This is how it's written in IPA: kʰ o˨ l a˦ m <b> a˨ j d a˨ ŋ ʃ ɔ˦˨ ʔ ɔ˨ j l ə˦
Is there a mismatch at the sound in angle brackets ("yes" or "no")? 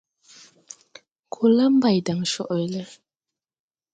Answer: no